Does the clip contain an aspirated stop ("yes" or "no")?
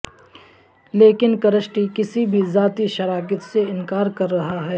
no